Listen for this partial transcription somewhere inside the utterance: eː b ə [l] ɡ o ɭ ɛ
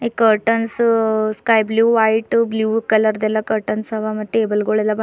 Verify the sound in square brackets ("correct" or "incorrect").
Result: correct